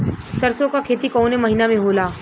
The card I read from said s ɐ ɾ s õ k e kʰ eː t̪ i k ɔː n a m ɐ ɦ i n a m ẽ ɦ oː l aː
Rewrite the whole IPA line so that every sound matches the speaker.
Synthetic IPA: s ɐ ɾ s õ k a kʰ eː t̪ i k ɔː n e m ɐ ɦ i n a m ẽ ɦ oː l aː